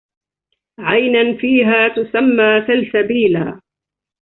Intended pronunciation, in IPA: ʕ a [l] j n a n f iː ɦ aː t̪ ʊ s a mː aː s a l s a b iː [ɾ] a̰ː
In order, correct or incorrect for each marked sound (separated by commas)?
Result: incorrect, incorrect